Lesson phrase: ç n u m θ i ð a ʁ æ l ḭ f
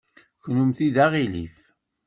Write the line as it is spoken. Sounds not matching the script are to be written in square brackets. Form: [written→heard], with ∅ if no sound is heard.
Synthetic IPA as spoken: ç n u m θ i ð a ʁ [æ→i] l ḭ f